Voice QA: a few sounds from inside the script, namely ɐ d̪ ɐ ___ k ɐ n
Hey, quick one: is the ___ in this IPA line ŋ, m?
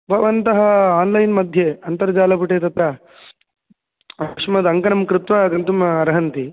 ŋ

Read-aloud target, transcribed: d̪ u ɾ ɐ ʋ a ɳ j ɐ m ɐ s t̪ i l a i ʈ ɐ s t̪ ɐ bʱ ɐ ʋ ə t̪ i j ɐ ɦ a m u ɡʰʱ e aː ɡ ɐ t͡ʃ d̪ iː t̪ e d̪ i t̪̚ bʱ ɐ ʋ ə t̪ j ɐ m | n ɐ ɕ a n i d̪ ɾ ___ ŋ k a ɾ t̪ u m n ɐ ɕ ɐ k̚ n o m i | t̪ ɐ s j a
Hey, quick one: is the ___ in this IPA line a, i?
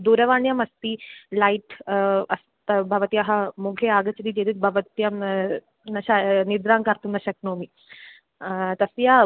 a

